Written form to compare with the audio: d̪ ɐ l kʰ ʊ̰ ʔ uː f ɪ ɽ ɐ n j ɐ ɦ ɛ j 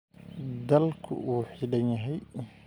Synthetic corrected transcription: d̪ ɐ l kʰ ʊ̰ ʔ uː ħ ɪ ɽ ɐ n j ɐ ɦ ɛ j